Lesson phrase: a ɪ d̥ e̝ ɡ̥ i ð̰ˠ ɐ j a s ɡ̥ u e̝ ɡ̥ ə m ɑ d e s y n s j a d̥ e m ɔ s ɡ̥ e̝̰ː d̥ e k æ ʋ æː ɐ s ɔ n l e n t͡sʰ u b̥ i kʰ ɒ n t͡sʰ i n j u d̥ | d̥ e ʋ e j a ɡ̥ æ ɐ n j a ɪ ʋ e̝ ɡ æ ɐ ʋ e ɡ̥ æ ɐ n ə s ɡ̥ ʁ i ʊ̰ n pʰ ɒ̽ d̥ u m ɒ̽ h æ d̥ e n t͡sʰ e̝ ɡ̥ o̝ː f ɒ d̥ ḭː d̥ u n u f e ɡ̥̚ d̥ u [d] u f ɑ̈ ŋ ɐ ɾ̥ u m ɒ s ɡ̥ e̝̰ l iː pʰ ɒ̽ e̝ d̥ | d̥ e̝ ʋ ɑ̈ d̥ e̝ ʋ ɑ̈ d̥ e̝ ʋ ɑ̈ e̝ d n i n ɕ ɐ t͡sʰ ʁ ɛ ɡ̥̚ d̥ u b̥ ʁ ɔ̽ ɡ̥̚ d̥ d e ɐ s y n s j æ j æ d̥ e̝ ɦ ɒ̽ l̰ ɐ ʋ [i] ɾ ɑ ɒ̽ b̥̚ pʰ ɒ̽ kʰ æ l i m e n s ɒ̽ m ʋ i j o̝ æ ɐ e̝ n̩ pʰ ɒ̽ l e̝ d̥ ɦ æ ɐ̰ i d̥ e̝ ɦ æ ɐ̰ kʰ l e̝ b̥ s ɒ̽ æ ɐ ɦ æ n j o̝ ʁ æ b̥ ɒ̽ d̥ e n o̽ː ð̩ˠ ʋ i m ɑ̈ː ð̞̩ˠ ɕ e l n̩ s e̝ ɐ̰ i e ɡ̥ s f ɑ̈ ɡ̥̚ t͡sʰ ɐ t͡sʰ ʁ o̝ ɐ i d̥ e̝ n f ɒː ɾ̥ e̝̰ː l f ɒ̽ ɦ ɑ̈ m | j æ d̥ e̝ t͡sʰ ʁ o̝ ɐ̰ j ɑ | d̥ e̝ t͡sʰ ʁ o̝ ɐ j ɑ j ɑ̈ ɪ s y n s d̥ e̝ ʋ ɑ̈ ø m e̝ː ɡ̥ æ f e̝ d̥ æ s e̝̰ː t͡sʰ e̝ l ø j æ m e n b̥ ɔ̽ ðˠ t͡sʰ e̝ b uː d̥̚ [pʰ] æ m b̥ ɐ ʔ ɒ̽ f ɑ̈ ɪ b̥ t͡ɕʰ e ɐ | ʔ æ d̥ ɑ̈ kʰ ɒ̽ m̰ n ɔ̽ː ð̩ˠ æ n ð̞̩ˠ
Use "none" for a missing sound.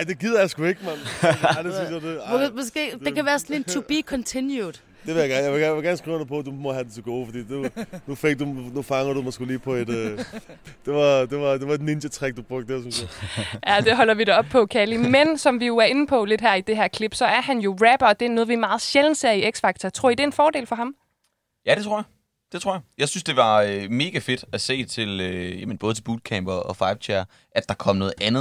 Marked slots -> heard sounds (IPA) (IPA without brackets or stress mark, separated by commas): n, i, kʰ